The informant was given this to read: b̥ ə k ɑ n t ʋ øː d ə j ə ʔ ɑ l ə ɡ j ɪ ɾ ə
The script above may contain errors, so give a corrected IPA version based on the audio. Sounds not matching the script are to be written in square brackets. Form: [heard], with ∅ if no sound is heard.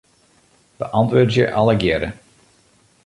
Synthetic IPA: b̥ ə [ʔ] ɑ n t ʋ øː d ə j ə ʔ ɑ l ə ɡ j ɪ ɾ ə